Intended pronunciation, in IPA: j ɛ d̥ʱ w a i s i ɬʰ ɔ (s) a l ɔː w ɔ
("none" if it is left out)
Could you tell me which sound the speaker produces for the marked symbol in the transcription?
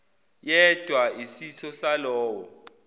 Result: s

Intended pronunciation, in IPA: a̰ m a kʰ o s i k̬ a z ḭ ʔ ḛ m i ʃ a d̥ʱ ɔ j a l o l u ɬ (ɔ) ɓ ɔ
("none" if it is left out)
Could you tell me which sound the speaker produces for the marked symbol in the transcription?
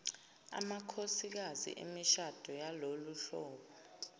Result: ɔː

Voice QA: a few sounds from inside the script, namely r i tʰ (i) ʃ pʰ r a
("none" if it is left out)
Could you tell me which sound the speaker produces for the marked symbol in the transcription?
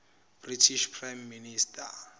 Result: i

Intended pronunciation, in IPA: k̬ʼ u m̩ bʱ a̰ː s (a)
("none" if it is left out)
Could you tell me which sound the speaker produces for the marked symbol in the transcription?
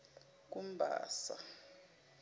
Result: a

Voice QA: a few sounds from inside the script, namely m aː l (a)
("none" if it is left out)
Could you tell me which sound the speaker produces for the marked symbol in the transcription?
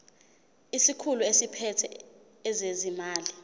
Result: i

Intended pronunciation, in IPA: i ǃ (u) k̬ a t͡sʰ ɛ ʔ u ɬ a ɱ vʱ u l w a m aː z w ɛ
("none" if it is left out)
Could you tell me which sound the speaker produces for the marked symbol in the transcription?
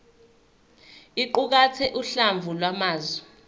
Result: u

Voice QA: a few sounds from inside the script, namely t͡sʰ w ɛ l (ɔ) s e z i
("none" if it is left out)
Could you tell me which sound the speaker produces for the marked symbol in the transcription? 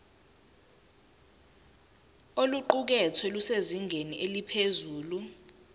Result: u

